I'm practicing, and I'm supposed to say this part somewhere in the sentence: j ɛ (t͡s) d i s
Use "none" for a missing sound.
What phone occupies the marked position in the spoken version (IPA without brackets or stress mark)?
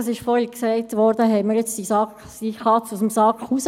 t͡s